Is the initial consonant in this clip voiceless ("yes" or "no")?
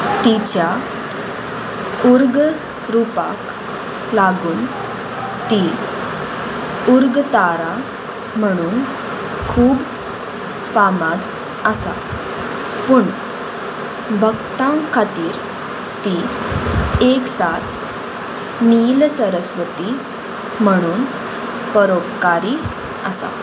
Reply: yes